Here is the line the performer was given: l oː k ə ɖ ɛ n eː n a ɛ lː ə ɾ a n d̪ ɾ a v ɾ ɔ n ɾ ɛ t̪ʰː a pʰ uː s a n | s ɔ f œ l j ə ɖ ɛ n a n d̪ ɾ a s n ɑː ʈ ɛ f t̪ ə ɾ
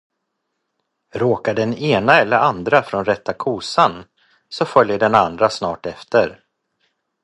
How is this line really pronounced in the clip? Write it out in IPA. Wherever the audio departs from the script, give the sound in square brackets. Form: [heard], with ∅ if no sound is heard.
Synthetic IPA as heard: [ɾ] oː k [a] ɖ ɛ n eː n a ɛ lː ə ɾ a n d̪ ɾ a [f] ɾ ɔ n ɾ ɛ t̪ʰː a [kʰ] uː s a n | s ɔ f œ l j ə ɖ ɛ n a n d̪ ɾ a s n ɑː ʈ ɛ f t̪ ə ɾ

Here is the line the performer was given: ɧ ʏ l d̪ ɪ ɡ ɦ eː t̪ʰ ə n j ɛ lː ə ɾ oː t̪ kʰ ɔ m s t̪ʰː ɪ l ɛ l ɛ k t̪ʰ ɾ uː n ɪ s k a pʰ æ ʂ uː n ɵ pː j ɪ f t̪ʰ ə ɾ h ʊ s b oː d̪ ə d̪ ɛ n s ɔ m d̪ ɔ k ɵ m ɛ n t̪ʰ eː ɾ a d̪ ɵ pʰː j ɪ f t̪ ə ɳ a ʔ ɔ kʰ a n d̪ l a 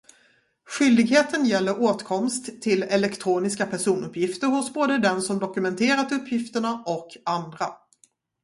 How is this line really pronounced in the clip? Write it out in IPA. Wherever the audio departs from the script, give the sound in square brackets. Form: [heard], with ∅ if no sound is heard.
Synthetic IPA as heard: ɧ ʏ l d̪ ɪ ɡ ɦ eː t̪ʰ ə n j ɛ lː ə ɾ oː t̪ kʰ ɔ m s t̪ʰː ɪ l ɛ l ɛ k t̪ʰ ɾ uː n ɪ s k a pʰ æ ʂ uː n ɵ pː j ɪ f [t̪] ə ɾ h ʊ s b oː d̪ ə d̪ ɛ n s ɔ m d̪ ɔ k ɵ m ɛ n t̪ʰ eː ɾ a [t̪] ɵ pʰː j ɪ f t̪ ə ɳ a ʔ ɔ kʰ a n d̪ [ɾ] a

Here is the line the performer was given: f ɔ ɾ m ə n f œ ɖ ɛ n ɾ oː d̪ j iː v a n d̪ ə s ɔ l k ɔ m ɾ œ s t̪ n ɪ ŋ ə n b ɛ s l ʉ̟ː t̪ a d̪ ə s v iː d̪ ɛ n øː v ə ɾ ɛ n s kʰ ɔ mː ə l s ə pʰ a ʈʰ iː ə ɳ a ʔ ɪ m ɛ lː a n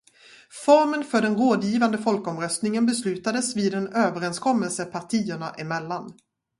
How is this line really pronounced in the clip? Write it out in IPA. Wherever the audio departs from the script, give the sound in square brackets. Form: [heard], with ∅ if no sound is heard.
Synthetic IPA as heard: f ɔ ɾ m ə n f œ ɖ ɛ n ɾ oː d̪ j iː v a n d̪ ə [f] ɔ l k ɔ m ɾ œ s t̪ n ɪ ŋ ə n b ɛ s l ʉ̟ː t̪ a d̪ ə s v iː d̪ ɛ n øː v ə ɾ ɛ n s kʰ ɔ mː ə l s ə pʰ a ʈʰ iː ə ɳ a ʔ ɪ m ɛ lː a n

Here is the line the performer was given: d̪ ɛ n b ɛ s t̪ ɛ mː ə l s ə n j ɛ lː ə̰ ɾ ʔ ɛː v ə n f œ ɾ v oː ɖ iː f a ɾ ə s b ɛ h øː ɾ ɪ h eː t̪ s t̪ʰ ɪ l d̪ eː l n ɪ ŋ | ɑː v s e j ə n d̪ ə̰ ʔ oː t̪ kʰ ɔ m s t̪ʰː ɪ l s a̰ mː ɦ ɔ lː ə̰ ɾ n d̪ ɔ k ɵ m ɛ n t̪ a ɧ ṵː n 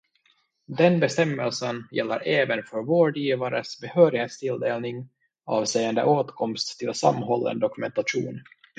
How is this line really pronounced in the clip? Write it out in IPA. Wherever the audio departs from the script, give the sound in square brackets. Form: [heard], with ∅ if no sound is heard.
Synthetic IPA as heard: d̪ ɛ n b ɛ s t̪ ɛ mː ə l s ə n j ɛ lː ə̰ ɾ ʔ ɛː v ə n f œ ɾ v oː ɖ iː [v] a ɾ ə s b ɛ h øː ɾ ɪ h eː t̪ s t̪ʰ ɪ l d̪ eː l n ɪ ŋ | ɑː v s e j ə n d̪ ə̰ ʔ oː t̪ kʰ ɔ m s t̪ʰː ɪ l s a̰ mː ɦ ɔ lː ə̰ [∅] n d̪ ɔ k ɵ m ɛ n t̪ a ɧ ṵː n

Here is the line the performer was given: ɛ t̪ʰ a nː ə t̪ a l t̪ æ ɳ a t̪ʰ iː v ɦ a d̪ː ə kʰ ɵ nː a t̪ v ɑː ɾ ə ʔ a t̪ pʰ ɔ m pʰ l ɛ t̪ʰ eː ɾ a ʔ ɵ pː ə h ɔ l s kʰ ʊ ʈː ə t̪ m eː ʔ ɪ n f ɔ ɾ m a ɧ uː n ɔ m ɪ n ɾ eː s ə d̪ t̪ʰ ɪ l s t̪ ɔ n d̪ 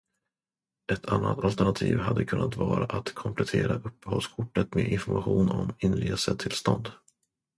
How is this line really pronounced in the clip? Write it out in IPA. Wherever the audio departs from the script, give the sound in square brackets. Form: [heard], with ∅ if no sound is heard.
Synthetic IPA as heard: ɛ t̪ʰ a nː [a] t̪ a l t̪ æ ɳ a t̪ʰ iː v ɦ a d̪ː ə kʰ ɵ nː a t̪ v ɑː ɾ [a] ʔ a t̪ [kʰ] ɔ m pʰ l ɛ t̪ʰ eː ɾ a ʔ ɵ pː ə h ɔ l s kʰ ʊ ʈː ə t̪ m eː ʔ ɪ n f ɔ ɾ m a ɧ uː n ɔ m ɪ n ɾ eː s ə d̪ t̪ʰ ɪ l s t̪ ɔ n d̪

